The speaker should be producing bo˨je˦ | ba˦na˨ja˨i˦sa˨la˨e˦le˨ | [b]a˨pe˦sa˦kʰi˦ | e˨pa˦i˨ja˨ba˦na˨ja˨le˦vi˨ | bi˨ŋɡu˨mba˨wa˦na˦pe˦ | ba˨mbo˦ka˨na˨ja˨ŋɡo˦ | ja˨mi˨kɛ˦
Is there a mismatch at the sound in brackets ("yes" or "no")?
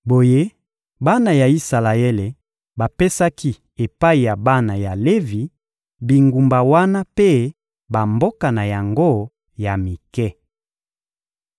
no